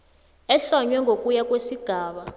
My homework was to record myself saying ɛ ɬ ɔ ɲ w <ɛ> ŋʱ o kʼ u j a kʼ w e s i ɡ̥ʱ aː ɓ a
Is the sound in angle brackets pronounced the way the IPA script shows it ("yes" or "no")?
yes